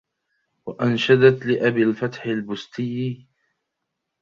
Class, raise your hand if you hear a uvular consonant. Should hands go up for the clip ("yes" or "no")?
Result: no